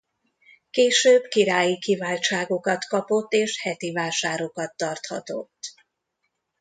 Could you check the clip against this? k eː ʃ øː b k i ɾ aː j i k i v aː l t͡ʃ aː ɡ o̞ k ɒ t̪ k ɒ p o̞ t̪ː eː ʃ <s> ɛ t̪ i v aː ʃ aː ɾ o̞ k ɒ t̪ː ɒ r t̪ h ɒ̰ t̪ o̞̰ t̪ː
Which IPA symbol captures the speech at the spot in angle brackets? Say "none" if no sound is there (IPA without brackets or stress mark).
h